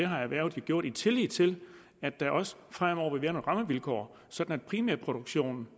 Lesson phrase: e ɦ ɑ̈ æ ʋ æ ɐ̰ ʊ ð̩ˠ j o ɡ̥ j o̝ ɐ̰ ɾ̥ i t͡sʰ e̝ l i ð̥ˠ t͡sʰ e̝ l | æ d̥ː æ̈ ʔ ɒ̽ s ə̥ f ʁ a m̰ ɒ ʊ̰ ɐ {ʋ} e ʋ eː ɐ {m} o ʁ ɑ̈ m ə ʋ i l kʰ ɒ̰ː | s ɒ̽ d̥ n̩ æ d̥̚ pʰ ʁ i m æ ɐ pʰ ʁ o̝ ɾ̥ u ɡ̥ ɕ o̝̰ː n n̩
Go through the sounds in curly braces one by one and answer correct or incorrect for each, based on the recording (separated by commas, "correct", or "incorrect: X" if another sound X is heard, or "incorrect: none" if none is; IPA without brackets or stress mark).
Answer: correct, incorrect: n